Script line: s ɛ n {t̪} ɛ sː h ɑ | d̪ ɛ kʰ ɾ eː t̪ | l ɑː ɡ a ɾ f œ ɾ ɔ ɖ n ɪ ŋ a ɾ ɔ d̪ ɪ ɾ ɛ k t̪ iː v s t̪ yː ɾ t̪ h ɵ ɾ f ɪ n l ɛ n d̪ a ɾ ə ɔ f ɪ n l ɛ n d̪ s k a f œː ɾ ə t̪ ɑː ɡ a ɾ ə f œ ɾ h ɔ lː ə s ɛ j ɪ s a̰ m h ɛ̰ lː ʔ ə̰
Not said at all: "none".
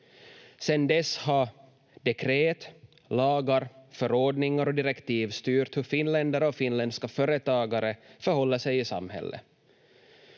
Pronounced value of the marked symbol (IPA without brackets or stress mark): d̪